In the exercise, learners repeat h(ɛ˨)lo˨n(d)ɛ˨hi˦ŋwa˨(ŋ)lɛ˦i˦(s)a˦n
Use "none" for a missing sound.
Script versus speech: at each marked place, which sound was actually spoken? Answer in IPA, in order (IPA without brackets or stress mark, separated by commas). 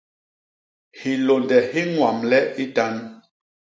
i˨, d, m, t